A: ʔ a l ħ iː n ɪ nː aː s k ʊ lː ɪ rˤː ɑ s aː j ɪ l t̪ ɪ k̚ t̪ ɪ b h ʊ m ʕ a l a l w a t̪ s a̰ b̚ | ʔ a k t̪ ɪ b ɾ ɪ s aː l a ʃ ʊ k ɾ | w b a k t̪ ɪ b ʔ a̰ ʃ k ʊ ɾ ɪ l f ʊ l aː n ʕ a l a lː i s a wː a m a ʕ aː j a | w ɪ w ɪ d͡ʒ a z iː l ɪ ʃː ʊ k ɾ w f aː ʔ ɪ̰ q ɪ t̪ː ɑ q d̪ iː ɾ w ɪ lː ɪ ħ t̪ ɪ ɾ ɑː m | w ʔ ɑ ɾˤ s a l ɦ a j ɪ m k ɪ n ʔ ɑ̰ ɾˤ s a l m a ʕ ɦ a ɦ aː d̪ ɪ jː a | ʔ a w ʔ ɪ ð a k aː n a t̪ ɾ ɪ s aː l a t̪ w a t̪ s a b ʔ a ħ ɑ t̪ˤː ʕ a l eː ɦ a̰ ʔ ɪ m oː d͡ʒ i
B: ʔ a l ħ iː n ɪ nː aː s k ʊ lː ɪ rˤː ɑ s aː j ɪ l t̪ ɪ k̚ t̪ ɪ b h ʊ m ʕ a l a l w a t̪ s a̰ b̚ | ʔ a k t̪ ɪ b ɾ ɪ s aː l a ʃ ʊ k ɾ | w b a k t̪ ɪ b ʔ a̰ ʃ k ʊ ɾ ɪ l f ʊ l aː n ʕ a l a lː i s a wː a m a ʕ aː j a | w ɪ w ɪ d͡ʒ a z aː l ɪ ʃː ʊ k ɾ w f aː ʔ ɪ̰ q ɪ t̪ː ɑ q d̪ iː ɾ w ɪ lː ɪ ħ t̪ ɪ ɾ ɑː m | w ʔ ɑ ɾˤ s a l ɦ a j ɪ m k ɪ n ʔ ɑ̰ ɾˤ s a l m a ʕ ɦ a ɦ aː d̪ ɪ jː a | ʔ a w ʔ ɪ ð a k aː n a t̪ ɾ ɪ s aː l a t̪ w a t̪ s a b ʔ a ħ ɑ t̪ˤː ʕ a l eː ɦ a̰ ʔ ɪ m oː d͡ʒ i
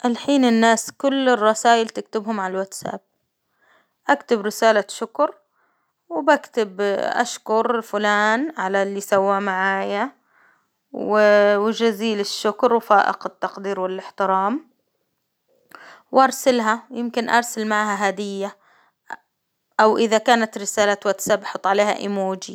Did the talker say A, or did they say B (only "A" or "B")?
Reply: A